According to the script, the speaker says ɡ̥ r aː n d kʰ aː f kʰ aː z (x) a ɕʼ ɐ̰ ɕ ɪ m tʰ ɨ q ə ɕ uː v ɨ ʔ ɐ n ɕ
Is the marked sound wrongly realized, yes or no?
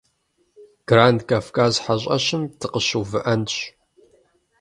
yes